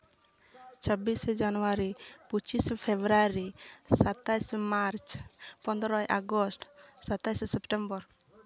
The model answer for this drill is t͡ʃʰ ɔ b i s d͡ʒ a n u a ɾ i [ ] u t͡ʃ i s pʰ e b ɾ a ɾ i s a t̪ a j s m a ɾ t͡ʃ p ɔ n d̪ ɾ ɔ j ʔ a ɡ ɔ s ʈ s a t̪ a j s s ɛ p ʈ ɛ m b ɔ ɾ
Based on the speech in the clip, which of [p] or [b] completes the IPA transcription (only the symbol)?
p